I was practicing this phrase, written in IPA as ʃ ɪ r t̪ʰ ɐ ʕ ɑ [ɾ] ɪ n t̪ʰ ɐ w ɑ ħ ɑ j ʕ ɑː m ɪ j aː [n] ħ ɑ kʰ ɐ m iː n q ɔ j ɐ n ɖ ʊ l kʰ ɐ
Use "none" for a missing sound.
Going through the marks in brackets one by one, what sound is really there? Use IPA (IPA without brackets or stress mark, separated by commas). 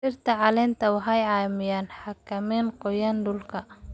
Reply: l, n